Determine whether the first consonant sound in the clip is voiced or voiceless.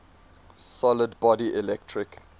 voiceless